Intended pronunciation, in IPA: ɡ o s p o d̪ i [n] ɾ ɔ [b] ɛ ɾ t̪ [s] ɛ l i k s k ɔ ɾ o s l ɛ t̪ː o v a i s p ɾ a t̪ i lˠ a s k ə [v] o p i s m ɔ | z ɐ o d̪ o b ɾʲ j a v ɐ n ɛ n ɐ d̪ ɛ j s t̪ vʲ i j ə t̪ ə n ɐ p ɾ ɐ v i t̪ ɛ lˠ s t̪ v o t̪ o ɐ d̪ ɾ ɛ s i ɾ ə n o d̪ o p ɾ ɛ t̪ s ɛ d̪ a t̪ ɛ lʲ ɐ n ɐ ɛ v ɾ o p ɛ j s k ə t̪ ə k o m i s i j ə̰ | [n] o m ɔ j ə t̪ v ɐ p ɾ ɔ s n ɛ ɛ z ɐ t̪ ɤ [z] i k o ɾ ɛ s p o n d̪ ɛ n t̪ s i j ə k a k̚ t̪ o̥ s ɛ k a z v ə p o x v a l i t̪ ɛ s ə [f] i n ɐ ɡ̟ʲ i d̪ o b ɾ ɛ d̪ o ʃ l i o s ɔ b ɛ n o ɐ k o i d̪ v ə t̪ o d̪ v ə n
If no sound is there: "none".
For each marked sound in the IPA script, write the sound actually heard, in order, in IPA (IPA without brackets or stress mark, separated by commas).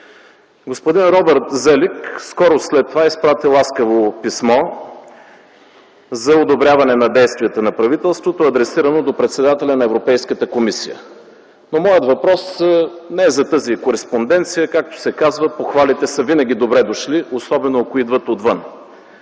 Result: n, b, z, v, n, z, v